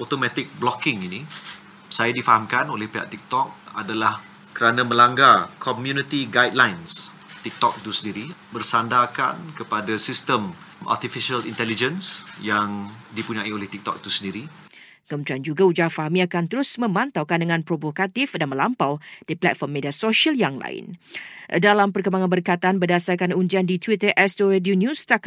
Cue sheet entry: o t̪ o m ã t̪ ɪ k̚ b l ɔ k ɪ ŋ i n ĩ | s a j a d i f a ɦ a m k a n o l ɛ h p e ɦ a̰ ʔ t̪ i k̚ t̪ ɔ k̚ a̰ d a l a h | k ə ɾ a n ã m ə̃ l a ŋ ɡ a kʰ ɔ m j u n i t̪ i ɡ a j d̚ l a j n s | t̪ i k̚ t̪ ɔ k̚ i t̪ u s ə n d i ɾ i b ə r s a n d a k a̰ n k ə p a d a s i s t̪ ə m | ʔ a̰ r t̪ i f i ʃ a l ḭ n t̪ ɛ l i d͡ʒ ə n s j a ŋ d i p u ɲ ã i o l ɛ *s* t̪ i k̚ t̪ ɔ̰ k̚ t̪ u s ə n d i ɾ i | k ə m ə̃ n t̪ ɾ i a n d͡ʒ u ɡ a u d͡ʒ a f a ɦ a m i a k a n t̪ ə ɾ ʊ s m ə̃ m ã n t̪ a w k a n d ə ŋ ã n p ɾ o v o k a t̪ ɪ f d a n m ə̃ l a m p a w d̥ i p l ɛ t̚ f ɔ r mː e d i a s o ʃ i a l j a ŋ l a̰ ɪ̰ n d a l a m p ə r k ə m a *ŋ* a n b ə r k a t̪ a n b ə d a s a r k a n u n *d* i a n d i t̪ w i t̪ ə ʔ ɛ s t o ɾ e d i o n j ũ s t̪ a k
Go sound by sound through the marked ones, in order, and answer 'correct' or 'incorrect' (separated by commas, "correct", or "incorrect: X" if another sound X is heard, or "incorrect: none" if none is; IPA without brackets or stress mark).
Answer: incorrect: h, correct, incorrect: d͡ʒ